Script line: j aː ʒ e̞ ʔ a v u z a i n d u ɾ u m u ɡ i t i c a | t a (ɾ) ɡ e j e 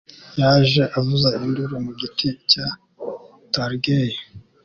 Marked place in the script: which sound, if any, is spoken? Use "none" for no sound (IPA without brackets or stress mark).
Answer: ɾ